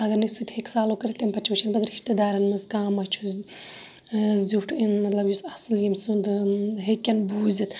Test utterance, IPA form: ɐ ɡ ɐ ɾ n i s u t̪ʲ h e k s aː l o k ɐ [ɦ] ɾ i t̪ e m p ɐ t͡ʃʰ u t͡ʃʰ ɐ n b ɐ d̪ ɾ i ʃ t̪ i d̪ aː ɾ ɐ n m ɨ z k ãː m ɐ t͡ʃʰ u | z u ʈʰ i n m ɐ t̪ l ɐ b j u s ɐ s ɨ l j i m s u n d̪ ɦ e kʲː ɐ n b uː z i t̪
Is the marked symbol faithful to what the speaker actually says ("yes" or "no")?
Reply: no